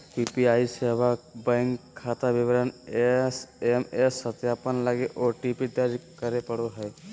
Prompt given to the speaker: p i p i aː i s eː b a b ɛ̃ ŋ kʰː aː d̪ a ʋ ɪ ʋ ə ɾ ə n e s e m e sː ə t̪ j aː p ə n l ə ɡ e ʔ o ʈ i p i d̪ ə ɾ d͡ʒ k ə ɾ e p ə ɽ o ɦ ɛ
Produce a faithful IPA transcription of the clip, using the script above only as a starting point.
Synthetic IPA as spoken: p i p i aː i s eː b a b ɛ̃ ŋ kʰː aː t̪ a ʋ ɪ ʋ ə ɾ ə n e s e m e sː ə t̪ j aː p ə n l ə ɡ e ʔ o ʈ i p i d̪ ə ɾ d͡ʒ k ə ɾ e p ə ɽ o ɦ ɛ